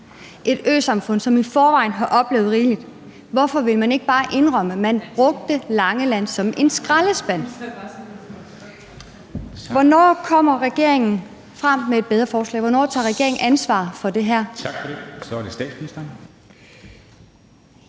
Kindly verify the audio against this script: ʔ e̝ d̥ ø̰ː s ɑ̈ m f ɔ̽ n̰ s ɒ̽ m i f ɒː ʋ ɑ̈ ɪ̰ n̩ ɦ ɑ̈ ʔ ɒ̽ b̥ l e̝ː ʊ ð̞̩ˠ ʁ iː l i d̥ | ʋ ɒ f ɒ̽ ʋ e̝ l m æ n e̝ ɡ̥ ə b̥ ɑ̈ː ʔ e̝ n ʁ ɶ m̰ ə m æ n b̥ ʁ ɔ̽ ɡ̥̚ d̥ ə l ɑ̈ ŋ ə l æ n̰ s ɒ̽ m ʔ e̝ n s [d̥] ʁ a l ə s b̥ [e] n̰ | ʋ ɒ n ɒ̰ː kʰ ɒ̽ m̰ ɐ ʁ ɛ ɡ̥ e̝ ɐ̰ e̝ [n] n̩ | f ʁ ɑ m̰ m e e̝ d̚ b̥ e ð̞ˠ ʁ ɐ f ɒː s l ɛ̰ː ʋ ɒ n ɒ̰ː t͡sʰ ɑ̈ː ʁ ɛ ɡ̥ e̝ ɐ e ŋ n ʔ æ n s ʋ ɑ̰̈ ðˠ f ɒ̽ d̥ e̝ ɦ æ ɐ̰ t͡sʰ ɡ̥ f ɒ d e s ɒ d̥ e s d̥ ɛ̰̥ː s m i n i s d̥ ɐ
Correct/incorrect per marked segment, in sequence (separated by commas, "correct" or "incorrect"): incorrect, incorrect, incorrect